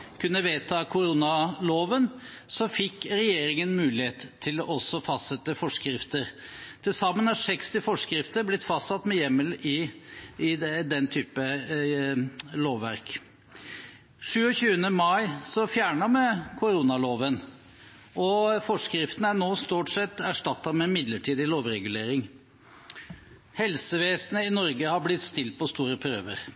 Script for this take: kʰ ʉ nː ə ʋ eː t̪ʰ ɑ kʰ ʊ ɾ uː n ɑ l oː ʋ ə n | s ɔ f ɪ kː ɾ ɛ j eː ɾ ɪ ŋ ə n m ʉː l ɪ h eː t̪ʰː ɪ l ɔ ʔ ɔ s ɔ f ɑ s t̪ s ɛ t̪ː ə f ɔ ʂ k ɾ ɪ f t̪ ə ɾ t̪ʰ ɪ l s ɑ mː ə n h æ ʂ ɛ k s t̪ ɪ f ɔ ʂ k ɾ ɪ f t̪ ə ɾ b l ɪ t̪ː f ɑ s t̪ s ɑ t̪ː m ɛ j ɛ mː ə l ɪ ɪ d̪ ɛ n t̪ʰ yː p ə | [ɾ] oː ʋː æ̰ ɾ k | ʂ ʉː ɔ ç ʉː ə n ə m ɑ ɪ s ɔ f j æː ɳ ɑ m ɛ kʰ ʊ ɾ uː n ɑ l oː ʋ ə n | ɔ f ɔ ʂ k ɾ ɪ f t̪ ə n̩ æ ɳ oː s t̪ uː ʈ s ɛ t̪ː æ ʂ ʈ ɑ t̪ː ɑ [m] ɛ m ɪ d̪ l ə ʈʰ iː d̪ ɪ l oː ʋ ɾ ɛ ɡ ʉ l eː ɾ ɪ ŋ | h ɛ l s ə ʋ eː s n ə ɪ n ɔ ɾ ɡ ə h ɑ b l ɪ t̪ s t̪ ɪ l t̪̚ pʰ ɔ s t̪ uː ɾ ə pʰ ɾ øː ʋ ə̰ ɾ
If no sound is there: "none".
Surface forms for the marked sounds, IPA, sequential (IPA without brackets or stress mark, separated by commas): l, m